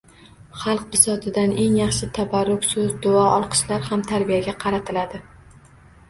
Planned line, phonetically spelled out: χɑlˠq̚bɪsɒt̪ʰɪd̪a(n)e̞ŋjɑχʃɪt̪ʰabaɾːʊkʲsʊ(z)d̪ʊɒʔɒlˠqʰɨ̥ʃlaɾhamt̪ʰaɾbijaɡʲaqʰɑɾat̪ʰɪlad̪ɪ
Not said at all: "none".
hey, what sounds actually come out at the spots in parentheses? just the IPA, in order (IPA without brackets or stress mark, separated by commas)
n, z